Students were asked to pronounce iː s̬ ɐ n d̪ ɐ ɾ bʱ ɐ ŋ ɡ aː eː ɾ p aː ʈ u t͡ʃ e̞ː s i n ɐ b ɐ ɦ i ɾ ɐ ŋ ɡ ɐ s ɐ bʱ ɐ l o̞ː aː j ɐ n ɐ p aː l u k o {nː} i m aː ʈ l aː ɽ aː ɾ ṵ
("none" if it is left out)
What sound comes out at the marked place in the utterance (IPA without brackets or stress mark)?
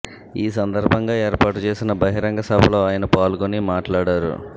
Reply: n